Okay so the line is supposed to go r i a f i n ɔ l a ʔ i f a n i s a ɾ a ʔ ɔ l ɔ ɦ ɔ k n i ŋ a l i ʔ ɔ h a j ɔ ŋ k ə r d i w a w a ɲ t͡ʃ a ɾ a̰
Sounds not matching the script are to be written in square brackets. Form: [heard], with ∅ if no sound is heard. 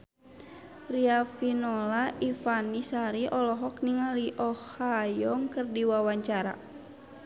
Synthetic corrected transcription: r i a f i n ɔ l a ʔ i f a n i s a ɾ [i] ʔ ɔ l ɔ ɦ ɔ k n i ŋ a l i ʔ ɔ h a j ɔ ŋ k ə r d i w a w a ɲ t͡ʃ a ɾ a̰